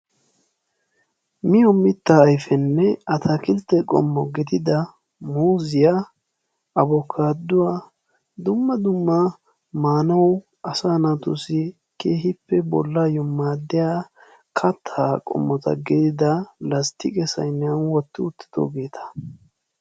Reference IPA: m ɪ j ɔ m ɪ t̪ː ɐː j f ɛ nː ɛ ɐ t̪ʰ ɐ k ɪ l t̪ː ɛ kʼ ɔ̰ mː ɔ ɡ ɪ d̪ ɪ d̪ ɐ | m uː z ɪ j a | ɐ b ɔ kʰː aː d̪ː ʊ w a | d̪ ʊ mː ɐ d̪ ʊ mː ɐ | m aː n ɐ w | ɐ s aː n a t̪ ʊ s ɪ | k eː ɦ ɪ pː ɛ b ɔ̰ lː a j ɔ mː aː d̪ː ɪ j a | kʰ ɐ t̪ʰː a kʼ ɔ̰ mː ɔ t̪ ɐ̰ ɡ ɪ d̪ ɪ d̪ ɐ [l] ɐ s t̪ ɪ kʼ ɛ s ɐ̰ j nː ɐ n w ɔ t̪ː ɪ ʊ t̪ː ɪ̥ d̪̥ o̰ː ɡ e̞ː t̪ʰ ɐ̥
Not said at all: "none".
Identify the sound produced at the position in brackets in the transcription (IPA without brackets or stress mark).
l